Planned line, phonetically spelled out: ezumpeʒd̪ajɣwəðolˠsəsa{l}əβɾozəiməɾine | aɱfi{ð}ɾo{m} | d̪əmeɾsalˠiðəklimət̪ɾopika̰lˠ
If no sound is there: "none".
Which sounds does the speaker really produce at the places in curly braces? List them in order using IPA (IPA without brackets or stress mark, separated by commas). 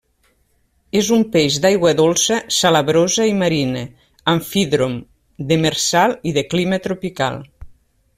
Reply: l, ð, m